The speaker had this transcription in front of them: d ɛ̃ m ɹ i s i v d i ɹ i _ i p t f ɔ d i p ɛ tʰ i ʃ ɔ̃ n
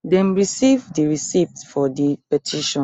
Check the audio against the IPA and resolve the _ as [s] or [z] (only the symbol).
s